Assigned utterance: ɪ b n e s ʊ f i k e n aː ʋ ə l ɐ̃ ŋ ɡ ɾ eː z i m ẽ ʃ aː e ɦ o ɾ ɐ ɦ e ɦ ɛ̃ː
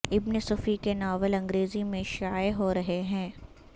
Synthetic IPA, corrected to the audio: ɪ b n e s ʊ f i k e n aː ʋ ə l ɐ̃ ŋ ɡ ɾ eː z i m ẽ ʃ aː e ɦ o ɾ ɐ ɦ e ɦ ɛ̃ː